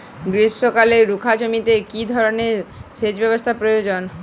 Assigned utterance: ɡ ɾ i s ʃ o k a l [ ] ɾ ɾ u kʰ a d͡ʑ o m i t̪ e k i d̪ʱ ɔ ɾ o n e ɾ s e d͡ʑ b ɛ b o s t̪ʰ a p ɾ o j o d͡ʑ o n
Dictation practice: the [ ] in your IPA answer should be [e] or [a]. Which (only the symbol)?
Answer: e